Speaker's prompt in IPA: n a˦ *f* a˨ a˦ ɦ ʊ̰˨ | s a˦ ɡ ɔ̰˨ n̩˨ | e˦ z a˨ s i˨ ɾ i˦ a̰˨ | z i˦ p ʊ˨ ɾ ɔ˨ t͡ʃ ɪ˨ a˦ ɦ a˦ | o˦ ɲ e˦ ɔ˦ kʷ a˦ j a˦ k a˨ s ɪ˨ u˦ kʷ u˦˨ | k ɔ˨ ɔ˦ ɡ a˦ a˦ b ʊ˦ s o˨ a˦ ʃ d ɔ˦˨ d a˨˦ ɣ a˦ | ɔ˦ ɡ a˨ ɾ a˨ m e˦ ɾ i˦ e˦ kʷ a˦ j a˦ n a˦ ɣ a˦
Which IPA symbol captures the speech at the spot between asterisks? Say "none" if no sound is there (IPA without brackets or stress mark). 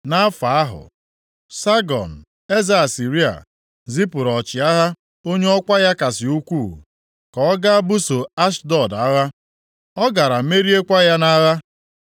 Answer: f